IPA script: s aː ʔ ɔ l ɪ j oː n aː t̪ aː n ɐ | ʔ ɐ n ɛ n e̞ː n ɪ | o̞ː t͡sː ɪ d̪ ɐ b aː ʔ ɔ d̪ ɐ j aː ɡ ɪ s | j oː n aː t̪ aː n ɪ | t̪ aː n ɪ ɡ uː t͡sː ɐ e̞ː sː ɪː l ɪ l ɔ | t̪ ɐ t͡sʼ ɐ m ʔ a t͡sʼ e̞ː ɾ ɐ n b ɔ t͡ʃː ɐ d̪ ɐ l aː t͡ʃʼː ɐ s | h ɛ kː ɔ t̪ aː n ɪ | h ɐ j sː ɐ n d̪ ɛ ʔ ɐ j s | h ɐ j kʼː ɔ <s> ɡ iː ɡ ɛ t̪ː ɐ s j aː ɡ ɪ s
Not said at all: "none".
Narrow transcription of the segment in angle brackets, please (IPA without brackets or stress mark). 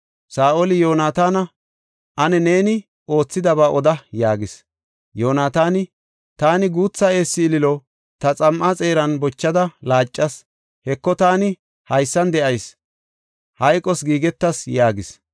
s